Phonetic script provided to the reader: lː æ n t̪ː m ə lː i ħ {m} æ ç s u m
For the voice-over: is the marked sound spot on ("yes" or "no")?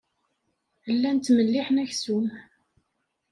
no